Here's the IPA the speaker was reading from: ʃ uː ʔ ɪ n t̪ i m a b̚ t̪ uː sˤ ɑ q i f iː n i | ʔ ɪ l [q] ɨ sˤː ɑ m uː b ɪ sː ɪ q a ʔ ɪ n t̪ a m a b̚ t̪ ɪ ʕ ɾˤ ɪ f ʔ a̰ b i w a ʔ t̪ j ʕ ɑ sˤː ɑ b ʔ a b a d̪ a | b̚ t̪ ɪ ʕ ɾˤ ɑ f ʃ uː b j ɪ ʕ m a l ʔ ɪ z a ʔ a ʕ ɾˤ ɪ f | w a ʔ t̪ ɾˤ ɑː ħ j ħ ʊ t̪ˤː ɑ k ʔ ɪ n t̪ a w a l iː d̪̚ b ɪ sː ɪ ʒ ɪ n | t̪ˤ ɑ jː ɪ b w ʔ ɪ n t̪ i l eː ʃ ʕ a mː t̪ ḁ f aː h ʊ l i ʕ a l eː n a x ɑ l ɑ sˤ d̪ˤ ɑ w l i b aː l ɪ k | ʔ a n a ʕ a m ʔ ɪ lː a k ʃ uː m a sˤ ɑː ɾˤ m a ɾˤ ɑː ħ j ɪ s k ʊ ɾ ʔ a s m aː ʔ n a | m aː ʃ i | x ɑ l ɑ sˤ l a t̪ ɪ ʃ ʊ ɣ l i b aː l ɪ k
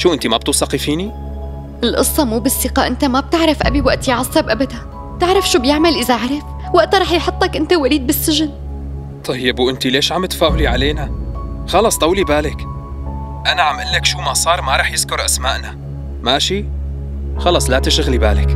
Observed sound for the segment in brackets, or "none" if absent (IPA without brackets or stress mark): ʔ